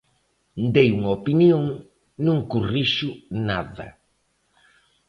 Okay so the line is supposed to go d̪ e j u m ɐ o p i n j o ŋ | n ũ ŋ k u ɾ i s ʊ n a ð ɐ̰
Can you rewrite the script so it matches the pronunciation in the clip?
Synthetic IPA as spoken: d̪ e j u ŋ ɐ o p i n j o ŋ | n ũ ŋ k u r i ʃ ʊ n a ð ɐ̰